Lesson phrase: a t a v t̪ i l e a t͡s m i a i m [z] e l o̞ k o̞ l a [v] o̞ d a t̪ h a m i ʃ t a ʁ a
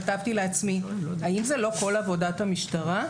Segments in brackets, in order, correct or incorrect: correct, correct

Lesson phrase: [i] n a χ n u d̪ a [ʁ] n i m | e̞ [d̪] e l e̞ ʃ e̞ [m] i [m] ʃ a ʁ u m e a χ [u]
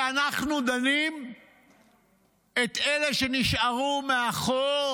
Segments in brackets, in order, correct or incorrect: incorrect: a, incorrect: none, incorrect: t̪, incorrect: n, incorrect: none, incorrect: o

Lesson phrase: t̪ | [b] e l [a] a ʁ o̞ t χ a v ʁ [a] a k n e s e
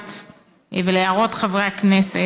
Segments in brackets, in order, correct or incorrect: incorrect: v, incorrect: e, incorrect: e

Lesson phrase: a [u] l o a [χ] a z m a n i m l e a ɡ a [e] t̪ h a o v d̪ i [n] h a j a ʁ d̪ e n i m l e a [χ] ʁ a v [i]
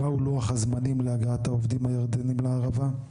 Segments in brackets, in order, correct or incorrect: correct, correct, incorrect: a, incorrect: m, incorrect: none, incorrect: a

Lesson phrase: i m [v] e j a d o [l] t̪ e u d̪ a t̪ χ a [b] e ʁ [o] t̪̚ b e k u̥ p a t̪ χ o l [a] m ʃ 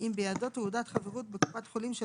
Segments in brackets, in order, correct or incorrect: incorrect: b, incorrect: none, incorrect: v, incorrect: u, incorrect: i

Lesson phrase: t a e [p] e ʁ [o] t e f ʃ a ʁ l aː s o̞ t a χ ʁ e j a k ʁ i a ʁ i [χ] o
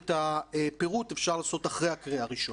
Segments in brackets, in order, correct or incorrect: correct, incorrect: u, incorrect: ʃ

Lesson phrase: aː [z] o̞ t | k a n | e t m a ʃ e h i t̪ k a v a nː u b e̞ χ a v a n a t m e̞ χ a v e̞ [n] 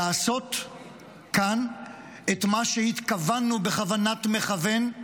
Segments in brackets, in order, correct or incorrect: incorrect: s, correct

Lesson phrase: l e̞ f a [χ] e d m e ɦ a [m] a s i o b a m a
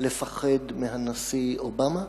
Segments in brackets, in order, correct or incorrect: correct, incorrect: n

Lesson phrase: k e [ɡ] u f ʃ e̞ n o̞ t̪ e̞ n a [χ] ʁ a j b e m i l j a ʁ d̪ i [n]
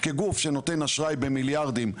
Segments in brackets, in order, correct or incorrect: correct, incorrect: ʃ, incorrect: m

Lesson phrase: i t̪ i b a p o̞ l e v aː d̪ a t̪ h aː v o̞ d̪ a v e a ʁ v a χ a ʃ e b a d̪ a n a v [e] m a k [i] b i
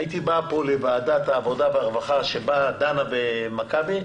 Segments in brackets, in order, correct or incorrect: correct, incorrect: a

